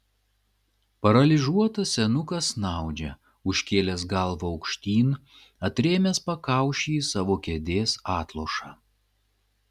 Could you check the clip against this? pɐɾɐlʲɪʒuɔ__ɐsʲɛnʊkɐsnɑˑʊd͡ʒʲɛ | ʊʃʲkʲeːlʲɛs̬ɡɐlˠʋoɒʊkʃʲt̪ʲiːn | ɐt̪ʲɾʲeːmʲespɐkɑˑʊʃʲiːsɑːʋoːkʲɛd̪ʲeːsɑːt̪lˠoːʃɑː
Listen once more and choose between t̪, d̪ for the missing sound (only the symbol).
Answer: t̪